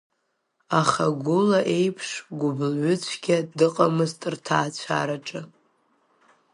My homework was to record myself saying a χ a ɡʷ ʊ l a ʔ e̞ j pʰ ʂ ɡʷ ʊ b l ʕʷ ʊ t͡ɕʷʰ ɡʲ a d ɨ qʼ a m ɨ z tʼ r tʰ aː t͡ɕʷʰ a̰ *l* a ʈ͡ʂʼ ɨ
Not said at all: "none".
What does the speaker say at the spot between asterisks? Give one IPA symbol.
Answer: ɾ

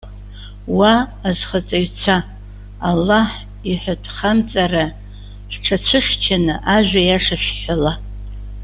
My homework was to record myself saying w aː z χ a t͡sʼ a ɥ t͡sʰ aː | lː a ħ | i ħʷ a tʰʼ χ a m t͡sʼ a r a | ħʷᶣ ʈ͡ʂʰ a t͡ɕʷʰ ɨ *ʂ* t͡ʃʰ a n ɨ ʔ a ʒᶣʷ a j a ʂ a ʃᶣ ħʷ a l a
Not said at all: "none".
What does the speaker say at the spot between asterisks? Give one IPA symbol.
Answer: ʂ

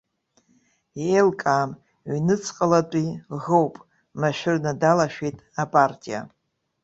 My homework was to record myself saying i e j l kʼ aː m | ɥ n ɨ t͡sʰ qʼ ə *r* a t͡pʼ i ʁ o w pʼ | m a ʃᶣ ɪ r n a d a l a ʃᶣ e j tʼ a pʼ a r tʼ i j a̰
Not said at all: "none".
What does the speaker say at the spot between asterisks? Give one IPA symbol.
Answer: l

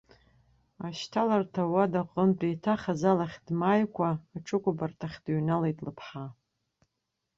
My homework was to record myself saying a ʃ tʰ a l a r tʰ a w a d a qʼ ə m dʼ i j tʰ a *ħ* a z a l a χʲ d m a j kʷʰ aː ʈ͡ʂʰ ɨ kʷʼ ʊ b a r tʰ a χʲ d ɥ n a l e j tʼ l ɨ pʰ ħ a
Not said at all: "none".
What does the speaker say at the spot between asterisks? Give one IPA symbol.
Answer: χ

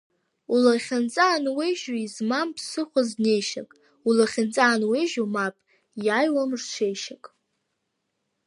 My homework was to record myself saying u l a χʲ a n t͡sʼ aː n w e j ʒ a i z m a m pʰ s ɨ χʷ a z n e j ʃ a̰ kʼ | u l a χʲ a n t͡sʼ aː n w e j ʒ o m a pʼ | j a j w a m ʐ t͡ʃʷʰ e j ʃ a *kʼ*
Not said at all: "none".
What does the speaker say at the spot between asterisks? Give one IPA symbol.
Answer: kʼ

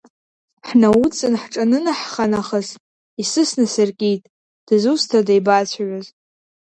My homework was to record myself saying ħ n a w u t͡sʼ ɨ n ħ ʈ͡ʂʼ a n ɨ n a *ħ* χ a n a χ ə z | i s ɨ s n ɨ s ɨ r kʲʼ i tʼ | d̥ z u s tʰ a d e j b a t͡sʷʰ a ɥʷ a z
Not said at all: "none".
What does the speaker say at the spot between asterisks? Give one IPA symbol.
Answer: ħ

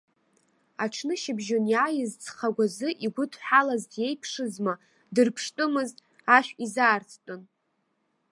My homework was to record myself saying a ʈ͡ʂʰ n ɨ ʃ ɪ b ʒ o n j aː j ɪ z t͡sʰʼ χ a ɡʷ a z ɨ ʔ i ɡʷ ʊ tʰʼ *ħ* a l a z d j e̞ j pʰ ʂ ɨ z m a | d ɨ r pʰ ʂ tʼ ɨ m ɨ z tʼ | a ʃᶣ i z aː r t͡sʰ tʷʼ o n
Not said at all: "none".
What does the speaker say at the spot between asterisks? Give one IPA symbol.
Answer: ħ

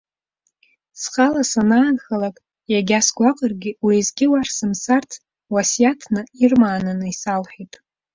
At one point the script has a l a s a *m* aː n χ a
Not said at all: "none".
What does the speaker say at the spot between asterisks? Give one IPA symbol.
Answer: n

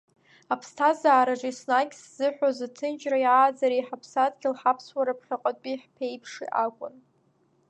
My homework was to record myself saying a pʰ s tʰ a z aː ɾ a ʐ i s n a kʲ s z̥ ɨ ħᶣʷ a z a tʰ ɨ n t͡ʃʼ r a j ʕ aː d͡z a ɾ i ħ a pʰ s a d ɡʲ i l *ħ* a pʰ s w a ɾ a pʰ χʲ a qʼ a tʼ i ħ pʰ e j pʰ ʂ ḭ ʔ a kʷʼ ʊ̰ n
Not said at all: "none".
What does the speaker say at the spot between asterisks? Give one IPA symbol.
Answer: ħ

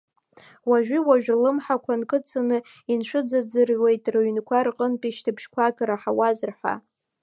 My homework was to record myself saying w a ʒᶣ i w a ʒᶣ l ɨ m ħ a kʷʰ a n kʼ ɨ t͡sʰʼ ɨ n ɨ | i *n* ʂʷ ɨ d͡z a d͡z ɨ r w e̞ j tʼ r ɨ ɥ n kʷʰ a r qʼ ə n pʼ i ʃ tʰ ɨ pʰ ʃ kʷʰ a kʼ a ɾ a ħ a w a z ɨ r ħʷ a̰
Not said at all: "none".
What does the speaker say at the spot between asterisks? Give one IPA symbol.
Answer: n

